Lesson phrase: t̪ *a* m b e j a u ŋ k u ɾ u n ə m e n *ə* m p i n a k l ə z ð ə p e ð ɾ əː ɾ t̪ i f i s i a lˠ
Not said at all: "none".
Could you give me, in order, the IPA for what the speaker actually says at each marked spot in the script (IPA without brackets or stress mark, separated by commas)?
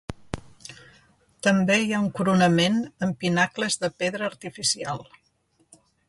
ə, ə